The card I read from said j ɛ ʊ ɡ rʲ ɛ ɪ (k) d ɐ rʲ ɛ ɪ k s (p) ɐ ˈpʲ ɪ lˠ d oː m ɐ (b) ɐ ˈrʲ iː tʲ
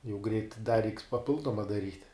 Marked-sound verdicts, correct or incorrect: incorrect, correct, incorrect

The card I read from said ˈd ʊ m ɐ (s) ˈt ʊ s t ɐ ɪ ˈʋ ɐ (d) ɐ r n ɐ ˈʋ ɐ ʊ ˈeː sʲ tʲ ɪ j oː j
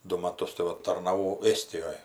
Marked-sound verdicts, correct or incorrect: incorrect, incorrect

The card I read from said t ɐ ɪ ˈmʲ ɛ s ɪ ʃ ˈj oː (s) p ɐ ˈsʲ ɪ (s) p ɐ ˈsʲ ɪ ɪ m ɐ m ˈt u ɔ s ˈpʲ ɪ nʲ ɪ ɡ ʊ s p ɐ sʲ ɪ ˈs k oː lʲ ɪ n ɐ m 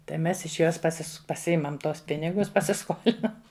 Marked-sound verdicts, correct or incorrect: correct, correct

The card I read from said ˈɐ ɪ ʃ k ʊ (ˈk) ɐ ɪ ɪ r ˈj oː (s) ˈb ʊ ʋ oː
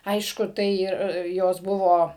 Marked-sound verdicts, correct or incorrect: incorrect, correct

